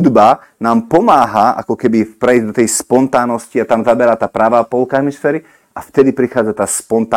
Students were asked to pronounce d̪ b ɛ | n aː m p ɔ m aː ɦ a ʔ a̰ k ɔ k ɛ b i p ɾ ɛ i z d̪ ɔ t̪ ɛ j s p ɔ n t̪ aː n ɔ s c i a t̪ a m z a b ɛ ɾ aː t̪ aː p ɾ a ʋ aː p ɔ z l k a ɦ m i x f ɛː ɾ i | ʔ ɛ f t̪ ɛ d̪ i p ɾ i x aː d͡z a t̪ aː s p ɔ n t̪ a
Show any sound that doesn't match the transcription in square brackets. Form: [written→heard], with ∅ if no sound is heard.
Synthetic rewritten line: d̪ b [ɛ→a] | n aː m p ɔ m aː ɦ a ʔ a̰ k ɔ k ɛ b i p ɾ ɛ i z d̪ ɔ t̪ ɛ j s p ɔ n t̪ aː n ɔ s c i a t̪ a m z a b ɛ ɾ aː t̪ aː p ɾ a ʋ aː p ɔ [z→∅] l k a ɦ m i [x→s] f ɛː ɾ i | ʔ [ɛ→a] f t̪ ɛ d̪ i p ɾ i x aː d͡z a t̪ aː s p ɔ n t̪ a